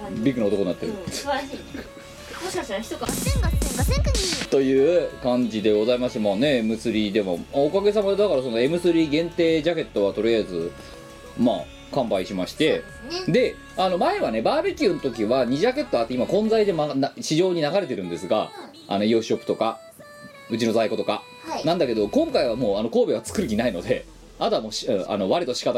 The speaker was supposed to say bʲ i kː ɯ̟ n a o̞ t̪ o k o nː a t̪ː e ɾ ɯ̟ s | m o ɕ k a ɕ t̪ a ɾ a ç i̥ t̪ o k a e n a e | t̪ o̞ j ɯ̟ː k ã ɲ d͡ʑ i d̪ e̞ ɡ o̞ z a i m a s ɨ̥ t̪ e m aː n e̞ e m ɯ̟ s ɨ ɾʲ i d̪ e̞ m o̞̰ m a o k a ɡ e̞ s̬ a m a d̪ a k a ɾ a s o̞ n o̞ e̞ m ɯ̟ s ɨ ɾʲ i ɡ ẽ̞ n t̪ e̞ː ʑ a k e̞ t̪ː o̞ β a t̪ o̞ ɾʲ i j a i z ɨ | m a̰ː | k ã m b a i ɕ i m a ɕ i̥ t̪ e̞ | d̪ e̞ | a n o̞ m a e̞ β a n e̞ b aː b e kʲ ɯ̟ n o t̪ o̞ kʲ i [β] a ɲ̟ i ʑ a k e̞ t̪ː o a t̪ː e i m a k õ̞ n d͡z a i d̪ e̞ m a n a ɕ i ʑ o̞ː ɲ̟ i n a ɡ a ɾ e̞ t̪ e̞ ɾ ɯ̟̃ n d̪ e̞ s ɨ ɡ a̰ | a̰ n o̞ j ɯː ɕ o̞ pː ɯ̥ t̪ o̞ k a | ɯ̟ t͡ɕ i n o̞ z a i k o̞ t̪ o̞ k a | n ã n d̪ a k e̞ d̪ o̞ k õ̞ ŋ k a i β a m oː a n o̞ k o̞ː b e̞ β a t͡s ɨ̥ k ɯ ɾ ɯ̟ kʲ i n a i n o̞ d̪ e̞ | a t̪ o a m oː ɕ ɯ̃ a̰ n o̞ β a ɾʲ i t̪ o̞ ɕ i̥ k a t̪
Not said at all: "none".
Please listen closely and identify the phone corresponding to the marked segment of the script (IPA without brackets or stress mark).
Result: β